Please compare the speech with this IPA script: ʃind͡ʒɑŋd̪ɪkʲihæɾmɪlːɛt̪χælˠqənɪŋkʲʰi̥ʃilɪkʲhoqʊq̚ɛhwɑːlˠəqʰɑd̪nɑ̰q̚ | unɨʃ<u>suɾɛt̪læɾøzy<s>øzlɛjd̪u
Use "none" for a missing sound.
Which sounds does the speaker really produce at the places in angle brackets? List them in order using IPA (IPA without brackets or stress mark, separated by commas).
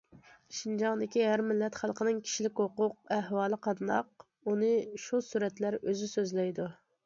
u, s